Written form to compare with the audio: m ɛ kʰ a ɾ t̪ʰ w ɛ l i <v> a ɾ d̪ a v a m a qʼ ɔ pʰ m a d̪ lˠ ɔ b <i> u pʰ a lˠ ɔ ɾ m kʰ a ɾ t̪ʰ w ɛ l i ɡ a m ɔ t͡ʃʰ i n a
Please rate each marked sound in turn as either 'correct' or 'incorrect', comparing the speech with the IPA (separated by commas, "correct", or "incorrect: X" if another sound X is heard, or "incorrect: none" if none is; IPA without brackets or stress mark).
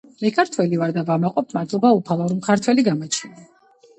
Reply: correct, incorrect: a